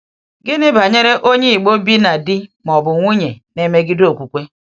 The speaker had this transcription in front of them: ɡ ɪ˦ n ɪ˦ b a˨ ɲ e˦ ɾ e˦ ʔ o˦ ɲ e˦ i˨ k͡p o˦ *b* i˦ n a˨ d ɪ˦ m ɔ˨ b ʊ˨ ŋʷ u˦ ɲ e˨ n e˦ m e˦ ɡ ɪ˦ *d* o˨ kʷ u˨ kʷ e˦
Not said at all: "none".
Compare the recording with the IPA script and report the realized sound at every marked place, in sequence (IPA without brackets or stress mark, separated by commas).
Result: b, d